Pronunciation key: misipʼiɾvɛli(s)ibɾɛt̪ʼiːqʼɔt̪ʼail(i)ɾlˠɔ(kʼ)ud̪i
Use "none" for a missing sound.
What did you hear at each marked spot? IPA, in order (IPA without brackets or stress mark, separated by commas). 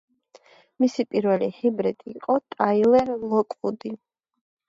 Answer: h, ɛ, kʼ